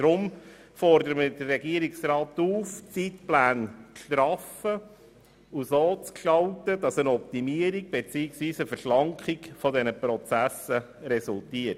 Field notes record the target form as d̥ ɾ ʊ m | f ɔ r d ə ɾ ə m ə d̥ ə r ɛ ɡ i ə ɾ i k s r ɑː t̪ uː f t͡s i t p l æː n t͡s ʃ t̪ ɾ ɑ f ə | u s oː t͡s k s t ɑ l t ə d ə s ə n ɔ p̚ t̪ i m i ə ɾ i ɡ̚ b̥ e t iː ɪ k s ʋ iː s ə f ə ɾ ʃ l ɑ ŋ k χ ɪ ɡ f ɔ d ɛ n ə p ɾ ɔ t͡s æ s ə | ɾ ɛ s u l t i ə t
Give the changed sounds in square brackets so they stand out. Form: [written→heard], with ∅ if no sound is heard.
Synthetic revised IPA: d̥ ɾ ʊ m | f ɔ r d ə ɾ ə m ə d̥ ə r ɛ ɡ i ə ɾ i k s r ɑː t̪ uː f t͡s i t p l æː n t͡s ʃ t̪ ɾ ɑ f ə | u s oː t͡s k [s→ʃ] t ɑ l t ə d [ə→ɑ] s ə n ɔ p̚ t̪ i m i ə ɾ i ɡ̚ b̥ e [t→t͡s] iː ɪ k s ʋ iː s ə f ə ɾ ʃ l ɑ ŋ k χ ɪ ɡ f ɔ d ɛ n ə p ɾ ɔ t͡s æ s ə | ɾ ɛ s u l t i ə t

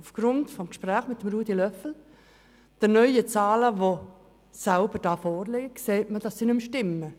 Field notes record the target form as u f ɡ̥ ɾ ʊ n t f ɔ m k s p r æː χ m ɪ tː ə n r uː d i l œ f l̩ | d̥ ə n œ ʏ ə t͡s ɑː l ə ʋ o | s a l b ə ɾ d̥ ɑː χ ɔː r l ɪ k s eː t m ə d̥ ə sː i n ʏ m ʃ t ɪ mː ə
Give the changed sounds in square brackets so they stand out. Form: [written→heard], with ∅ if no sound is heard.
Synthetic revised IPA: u f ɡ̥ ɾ ʊ n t f ɔ m k [s→ʃ] p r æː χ m ɪ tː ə [n→m] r uː d i l œ f l̩ | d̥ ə n œ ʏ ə t͡s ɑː l ə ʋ o | s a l b ə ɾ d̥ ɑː [χ→f] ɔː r l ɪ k s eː t m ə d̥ [ə→ɑ] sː i n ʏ m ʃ t ɪ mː ə

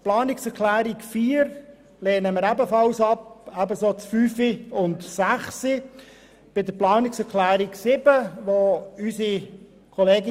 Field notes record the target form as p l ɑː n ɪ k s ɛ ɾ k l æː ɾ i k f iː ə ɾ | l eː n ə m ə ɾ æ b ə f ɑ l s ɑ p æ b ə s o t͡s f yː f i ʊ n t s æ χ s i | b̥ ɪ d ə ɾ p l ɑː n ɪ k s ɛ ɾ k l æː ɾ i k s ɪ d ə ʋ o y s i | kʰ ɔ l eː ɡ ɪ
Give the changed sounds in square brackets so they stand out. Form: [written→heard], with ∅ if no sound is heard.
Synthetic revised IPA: p l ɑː n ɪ k s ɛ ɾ k l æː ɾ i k f iː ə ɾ | l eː n ə m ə ɾ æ b ə f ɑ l s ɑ p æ b ə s o t͡s f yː f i ʊ n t s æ χ s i | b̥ ɪ d ə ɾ p l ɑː n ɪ k s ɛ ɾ k l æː ɾ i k s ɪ [d→b] ə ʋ o y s i | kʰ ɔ l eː ɡ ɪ

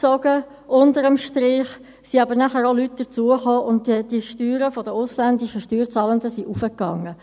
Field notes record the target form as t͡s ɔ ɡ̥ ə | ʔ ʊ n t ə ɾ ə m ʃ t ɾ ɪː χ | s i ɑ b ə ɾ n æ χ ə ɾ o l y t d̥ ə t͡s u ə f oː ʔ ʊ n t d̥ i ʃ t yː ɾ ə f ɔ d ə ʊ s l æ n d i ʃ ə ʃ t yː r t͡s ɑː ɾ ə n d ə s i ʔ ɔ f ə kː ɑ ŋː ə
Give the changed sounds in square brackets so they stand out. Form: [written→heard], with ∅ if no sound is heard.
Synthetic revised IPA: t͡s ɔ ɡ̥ ə | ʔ ʊ n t ə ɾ ə m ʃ t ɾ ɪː χ | s i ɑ b ə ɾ n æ χ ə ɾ o l y t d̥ ə t͡s u ə [f→χ] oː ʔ ʊ n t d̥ i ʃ t yː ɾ ə f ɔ d ə ʊ s l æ n d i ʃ ə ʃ t yː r t͡s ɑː [ɾ→l] ə n d ə s i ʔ [ɔ→u] f ə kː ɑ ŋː ə

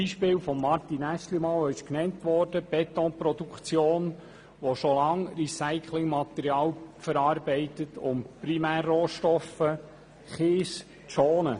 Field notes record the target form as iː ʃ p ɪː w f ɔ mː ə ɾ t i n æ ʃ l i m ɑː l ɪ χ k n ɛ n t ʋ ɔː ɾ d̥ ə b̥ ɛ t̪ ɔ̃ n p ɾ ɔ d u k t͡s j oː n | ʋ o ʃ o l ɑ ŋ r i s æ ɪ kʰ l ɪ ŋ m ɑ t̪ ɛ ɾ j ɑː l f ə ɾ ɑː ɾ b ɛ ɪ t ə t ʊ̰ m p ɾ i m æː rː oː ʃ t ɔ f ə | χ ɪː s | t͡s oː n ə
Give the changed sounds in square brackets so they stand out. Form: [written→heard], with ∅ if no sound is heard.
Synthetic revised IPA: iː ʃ p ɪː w f ɔ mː [ə→ɑ] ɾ t i n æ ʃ l i m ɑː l ɪ [χ→ʃ] k n ɛ n t ʋ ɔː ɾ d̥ ə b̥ ɛ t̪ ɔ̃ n p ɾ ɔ d u k t͡s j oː n | ʋ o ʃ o l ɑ ŋ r i s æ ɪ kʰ l ɪ ŋ m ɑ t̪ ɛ ɾ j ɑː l f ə ɾ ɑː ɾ b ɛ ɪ t ə t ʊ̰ m p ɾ i m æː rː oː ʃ t ɔ f ə | χ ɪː s | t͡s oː n ə

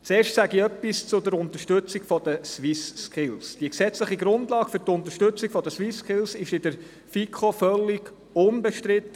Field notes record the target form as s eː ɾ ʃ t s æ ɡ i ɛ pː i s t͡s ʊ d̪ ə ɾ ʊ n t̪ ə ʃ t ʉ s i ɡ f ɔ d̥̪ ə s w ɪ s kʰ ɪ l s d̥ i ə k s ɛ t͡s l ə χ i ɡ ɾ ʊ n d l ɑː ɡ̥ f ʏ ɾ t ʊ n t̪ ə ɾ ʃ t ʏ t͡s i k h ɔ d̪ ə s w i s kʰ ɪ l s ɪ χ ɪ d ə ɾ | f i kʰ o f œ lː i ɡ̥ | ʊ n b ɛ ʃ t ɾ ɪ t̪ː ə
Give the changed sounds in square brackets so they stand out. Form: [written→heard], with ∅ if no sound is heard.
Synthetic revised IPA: [s→t͡s] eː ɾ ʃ t s æ ɡ i [ɛ→œ] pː i s t͡s ʊ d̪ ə ɾ ʊ n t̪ ə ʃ t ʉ [s→t͡s] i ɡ f ɔ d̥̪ ə s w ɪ s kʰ ɪ l s d̥ i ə k s ɛ t͡s l ə χ i ɡ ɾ ʊ n d l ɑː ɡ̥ f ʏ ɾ t ʊ n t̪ ə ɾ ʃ t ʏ t͡s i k [h→f] ɔ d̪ ə s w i s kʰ ɪ l s ɪ [χ→ʃ] ɪ d ə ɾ | f i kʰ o f œ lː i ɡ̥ | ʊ n b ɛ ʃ t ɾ ɪ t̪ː ə

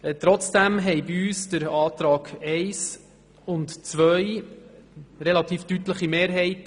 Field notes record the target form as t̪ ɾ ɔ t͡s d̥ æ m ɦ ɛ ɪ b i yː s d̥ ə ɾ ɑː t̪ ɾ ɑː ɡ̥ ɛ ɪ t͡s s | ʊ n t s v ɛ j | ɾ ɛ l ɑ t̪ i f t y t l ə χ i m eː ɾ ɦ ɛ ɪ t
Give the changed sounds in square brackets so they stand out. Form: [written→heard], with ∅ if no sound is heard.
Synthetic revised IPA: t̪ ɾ ɔ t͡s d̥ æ m ɦ ɛ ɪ b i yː s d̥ ə ɾ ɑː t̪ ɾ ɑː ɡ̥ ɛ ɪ [t͡s→∅] s | ʊ n t [s→t͡s] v [ɛ→œ] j | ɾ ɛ l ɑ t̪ [i→iː] f t y t l ə χ i m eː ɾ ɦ ɛ ɪ t

